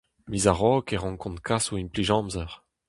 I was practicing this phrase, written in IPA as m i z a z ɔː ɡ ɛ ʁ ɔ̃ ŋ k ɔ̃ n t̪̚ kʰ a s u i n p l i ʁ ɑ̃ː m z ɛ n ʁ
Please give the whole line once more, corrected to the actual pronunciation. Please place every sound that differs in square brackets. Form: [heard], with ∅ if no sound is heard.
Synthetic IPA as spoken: m i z a [ʁ] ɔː [k] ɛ ʁ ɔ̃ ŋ k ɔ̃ n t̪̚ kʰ a s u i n p l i [ʒ] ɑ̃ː m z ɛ [∅] ʁ